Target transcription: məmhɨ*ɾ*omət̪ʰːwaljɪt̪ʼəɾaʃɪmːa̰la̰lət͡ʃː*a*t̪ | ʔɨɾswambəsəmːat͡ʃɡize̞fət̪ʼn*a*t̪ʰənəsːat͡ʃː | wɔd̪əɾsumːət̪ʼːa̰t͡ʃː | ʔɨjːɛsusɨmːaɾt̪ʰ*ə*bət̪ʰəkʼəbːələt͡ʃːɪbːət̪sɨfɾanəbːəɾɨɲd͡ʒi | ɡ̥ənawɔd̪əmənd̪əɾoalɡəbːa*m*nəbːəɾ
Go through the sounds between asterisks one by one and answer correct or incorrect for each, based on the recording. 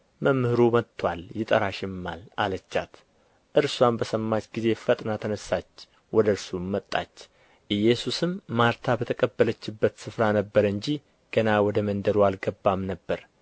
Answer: correct, correct, correct, incorrect: a, correct

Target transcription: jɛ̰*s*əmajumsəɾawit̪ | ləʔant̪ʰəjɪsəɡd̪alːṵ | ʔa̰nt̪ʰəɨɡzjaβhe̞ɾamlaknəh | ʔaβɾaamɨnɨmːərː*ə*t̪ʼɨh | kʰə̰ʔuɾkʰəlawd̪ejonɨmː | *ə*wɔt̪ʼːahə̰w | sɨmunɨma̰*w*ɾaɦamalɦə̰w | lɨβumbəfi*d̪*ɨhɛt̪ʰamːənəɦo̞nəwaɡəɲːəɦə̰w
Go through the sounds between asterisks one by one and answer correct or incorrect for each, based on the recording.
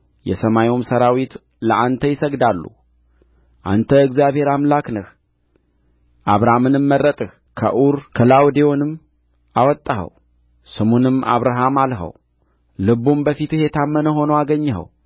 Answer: correct, correct, incorrect: a, incorrect: β, incorrect: t̪

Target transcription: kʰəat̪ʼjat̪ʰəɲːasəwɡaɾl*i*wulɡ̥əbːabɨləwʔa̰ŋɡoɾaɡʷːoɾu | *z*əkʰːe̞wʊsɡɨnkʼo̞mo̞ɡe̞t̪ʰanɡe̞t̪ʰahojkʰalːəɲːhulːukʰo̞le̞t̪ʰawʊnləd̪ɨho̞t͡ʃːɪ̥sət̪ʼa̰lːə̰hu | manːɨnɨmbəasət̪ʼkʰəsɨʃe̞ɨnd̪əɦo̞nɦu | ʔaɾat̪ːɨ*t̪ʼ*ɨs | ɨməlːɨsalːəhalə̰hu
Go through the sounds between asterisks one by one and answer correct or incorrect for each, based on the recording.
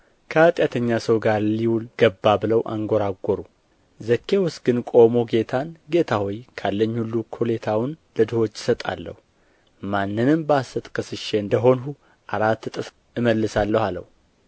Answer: correct, correct, correct

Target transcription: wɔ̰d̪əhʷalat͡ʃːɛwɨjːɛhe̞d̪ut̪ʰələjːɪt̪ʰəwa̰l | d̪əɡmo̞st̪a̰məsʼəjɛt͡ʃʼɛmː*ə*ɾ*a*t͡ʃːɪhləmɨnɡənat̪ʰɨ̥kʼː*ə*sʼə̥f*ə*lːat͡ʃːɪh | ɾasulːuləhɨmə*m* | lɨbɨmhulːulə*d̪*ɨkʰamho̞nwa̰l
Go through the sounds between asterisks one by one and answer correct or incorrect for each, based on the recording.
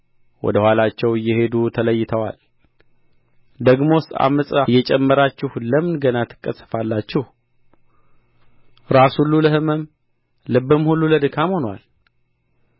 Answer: correct, correct, correct, incorrect: a, correct, correct

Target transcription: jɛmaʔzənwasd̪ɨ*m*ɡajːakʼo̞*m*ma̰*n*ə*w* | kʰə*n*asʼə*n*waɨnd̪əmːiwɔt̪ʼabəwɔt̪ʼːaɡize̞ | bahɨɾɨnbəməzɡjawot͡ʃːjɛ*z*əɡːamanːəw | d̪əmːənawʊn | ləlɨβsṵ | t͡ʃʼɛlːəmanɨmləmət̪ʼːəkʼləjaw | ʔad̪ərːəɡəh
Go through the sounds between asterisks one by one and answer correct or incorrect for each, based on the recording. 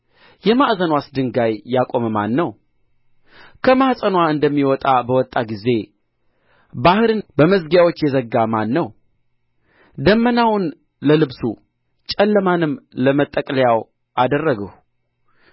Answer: incorrect: ŋ, correct, incorrect: nː, correct, incorrect: m, correct, correct

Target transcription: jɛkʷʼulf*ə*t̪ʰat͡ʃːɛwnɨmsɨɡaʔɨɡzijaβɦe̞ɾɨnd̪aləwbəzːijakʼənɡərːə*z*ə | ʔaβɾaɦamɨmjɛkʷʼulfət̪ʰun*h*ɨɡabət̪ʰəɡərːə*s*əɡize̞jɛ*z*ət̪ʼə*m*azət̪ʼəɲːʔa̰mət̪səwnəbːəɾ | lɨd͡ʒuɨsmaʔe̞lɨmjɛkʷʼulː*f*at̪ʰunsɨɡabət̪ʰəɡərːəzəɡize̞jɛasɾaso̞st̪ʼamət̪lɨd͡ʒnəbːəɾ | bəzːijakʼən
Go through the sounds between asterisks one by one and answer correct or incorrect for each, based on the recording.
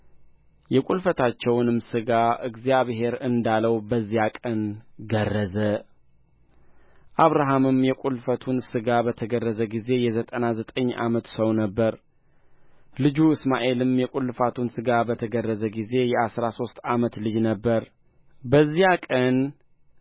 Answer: correct, correct, incorrect: s, incorrect: z, correct, incorrect: n, correct

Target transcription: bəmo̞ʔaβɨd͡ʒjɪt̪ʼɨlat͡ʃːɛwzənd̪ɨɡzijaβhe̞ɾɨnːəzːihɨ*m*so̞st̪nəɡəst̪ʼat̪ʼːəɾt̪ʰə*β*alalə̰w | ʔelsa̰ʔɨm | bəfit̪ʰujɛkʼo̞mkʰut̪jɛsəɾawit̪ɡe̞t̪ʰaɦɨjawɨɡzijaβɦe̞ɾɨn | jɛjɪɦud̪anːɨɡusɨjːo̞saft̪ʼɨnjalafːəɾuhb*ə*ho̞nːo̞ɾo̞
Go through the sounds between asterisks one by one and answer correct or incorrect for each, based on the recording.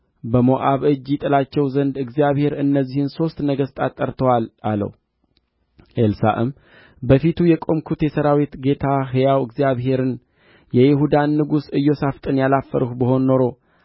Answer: incorrect: n, incorrect: w, correct

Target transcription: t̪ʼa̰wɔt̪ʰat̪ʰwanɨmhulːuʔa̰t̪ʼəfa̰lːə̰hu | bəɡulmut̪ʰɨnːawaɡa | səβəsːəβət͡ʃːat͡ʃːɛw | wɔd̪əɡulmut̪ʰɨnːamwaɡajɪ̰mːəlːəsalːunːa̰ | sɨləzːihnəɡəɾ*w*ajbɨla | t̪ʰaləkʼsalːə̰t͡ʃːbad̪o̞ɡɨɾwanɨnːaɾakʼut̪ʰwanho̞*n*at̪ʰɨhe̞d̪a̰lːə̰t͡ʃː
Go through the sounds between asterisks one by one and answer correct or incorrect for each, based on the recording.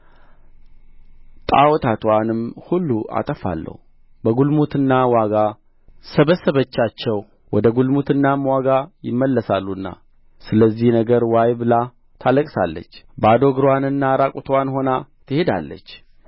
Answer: correct, correct

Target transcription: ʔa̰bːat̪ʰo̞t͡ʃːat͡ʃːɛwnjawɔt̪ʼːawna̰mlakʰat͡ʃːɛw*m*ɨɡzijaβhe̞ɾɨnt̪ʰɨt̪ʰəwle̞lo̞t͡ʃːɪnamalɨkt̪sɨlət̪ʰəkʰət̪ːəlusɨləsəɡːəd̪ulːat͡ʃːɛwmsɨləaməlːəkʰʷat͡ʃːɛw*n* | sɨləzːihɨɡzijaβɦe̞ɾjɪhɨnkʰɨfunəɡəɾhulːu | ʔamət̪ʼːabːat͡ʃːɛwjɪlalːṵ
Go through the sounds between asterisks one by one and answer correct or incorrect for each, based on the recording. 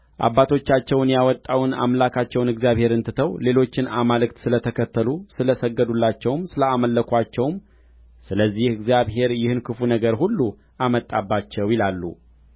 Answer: incorrect: n, incorrect: m

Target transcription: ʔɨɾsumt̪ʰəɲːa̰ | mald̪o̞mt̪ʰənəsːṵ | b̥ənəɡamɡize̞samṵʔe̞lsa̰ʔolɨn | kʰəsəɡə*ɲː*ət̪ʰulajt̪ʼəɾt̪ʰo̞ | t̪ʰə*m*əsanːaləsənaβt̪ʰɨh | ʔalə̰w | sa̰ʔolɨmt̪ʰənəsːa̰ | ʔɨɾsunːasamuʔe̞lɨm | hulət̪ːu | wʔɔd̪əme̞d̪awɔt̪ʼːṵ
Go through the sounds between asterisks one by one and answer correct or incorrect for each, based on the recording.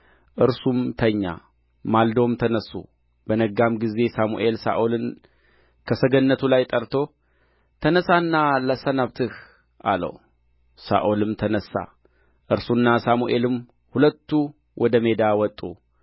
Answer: incorrect: nː, incorrect: n

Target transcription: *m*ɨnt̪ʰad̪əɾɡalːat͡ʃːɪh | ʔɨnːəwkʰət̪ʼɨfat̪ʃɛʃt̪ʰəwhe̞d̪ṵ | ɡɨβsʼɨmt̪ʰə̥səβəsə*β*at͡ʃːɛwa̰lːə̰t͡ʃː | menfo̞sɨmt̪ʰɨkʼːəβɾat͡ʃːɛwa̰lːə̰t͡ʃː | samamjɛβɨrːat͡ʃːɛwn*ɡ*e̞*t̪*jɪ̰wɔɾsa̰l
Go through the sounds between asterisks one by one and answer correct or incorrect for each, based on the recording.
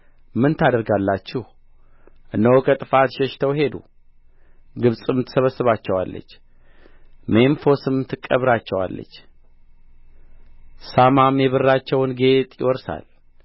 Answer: correct, correct, correct, incorrect: t̪ʼ

